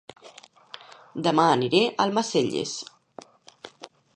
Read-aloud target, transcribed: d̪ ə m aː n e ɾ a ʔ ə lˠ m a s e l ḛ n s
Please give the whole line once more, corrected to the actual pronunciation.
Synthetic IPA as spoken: d̪ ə m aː n i ɾ e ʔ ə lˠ m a s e ʎ ḛ s